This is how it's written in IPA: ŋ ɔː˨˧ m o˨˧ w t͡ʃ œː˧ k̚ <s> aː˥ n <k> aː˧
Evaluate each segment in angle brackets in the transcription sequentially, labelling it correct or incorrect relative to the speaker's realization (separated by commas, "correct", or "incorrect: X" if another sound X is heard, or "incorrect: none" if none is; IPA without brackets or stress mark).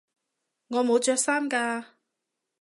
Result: correct, correct